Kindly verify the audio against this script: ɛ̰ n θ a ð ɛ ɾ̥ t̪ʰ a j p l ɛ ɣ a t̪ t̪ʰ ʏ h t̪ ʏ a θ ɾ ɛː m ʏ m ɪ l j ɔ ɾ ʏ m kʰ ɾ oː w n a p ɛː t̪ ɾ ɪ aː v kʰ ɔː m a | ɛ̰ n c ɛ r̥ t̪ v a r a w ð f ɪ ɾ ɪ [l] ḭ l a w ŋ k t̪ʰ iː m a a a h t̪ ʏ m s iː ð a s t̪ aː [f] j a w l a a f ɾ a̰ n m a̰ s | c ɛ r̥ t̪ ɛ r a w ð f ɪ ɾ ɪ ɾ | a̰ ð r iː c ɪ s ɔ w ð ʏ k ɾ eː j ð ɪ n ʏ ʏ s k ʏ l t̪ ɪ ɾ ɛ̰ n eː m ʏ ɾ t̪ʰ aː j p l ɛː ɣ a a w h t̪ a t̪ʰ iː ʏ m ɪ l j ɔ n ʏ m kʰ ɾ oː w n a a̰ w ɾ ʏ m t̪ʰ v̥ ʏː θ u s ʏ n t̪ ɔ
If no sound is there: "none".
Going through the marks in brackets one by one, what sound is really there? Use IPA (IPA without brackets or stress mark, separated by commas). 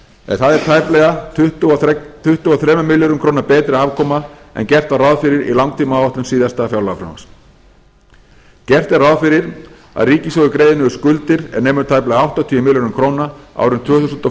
ɾ, f